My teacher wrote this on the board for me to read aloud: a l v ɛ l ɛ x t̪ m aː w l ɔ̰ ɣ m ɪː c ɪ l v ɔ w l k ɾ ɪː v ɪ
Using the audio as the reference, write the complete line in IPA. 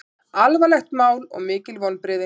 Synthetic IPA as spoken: a l v a l ɛ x t̪ m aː w l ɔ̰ ɣ m ɪː c ɪ l v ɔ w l p ɾ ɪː ð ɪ